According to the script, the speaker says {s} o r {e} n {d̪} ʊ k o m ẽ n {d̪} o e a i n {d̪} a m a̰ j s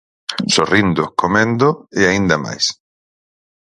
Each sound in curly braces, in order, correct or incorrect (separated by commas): correct, incorrect, correct, correct, correct